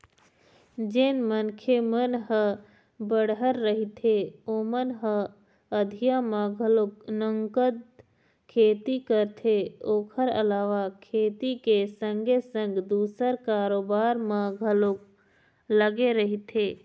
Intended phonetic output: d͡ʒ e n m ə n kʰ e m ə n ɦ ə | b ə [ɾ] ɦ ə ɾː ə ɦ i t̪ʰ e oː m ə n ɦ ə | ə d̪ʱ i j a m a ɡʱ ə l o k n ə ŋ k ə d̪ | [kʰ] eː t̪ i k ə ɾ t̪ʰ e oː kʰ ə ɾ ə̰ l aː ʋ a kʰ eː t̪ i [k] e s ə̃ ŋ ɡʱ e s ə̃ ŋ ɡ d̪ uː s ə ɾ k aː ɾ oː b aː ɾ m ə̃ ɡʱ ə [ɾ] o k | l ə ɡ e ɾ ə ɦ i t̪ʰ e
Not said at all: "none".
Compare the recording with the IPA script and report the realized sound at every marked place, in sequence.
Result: ɽ, kʰ, k, l

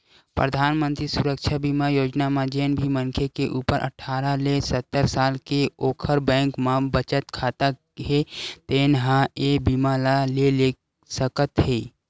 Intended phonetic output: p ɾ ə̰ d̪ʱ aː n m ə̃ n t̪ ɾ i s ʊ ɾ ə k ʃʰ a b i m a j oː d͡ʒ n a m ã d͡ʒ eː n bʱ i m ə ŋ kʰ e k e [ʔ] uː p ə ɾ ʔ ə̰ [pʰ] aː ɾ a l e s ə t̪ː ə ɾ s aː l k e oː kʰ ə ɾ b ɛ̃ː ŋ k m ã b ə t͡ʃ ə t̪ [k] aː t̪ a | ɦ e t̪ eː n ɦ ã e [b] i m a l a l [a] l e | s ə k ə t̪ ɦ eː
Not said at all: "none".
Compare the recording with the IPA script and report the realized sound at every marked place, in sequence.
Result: ʔ, ʈʰ, kʰ, b, e

